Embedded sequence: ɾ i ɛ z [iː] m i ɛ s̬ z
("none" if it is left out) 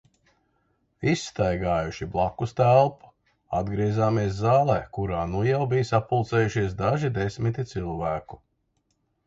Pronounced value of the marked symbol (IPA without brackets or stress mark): aː